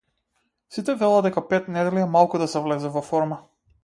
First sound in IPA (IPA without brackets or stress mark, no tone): s